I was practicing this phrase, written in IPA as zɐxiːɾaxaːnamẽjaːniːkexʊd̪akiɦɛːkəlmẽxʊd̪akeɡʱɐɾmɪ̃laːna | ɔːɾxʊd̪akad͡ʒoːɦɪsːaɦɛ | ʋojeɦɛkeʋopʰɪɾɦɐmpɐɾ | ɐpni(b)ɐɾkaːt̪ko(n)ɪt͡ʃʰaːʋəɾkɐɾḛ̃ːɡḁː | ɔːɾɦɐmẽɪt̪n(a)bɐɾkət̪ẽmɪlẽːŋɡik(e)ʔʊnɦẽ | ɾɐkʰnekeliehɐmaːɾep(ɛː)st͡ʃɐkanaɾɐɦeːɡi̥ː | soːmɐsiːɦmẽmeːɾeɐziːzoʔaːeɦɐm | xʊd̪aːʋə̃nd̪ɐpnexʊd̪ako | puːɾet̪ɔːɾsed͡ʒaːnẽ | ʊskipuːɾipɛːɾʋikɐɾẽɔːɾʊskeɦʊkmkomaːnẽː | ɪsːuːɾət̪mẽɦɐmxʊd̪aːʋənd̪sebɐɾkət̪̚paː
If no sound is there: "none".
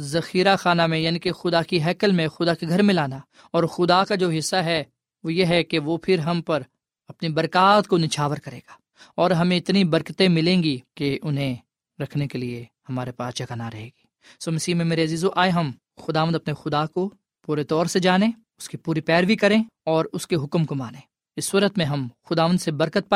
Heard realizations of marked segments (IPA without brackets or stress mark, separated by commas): b, n, i, e, aː